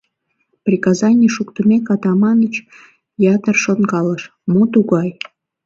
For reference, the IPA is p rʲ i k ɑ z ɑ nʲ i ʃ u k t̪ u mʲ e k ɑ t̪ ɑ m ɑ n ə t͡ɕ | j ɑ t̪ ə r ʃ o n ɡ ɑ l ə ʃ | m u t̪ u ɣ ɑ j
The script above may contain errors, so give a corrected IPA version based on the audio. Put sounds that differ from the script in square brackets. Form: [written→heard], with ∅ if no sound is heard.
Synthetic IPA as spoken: p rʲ i k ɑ z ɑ nʲ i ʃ u k t̪ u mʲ e k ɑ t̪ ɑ m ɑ n ə t͡ɕ | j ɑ t̪ ə r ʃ o n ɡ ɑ l ə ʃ | m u t̪ u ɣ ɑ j